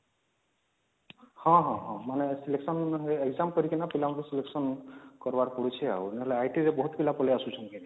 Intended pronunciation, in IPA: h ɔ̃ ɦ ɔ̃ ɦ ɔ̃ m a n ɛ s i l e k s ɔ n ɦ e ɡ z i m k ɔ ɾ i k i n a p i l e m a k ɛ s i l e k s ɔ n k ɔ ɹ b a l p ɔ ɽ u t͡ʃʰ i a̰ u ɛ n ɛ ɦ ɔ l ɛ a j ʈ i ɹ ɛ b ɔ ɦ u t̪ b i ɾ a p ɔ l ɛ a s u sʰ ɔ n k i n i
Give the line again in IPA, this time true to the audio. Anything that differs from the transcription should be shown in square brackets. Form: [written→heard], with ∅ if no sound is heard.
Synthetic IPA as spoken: h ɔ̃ ɦ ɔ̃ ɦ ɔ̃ m a n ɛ s i l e k s ɔ n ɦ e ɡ z [i→a] m k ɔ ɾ i k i n a p i l [e→a] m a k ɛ s i l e k s ɔ n k ɔ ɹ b a [l→ɹ] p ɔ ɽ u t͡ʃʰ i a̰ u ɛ n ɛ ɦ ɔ l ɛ a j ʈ i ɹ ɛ b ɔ ɦ u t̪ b i [ɾ→l] a p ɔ l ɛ a s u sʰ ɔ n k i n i